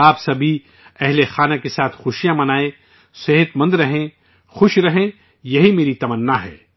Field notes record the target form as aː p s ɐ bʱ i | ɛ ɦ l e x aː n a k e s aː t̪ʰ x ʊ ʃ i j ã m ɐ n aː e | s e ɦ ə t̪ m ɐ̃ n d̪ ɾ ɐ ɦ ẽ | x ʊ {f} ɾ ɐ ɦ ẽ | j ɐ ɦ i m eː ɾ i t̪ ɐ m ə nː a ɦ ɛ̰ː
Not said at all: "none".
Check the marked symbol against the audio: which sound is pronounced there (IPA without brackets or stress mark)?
ʃ